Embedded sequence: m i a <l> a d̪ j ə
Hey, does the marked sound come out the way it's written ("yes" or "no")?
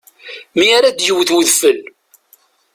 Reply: no